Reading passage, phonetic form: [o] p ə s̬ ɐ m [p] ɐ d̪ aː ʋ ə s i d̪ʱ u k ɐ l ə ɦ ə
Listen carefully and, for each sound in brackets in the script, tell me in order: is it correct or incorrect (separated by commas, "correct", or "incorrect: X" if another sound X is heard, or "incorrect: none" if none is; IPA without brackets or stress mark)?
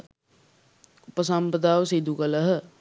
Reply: incorrect: u, correct